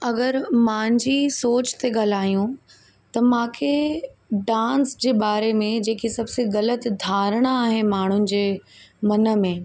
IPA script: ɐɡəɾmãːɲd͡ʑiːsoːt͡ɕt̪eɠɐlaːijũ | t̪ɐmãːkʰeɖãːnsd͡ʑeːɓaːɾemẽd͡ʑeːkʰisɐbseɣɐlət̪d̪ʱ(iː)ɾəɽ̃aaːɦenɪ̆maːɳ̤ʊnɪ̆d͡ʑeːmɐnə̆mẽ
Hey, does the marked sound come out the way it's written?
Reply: no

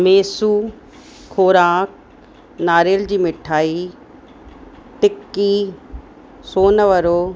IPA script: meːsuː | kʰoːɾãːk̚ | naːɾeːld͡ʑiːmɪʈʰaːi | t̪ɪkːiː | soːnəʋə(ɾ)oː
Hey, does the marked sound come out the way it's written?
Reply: yes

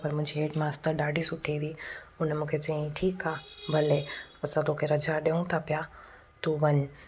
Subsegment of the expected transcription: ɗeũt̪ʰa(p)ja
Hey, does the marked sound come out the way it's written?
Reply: yes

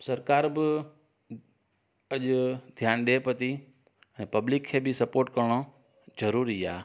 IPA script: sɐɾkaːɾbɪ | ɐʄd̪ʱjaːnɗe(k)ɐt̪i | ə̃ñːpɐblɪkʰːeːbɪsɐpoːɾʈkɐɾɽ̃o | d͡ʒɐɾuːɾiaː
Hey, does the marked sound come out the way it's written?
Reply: no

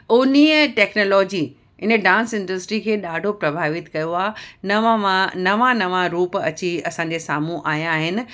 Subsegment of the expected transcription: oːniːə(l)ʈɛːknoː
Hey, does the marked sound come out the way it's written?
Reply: no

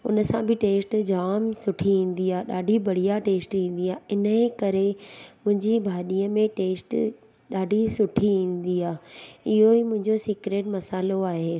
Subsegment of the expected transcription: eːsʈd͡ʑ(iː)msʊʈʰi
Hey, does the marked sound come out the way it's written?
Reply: no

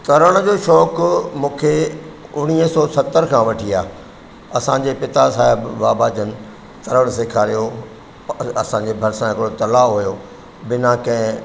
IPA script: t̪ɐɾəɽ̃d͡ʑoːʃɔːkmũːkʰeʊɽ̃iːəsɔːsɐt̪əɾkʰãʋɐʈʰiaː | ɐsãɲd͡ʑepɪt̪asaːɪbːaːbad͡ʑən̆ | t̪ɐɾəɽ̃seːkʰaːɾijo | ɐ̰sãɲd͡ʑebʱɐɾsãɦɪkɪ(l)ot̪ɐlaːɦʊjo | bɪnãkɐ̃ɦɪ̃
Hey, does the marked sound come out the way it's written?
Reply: no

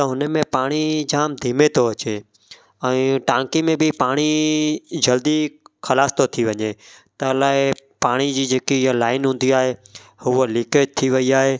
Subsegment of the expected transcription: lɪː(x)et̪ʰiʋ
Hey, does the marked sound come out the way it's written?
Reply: no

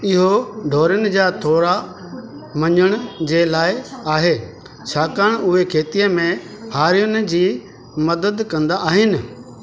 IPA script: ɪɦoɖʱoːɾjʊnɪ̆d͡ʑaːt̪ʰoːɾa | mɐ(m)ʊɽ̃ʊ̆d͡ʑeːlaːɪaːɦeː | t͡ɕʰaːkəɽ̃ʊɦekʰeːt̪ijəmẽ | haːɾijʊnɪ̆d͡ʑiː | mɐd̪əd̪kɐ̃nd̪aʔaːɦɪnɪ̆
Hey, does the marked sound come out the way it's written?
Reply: no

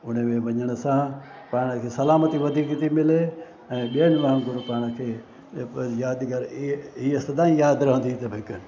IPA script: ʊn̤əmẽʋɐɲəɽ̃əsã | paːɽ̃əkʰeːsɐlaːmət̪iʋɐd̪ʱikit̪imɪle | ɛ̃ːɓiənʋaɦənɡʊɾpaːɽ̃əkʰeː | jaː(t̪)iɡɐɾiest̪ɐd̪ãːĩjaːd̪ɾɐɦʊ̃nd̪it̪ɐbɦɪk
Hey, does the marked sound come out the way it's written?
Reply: no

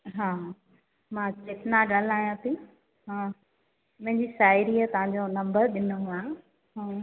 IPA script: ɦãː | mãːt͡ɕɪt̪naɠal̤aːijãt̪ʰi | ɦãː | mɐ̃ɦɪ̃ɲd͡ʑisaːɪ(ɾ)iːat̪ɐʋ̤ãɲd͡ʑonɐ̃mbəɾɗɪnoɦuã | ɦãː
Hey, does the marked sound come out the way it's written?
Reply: yes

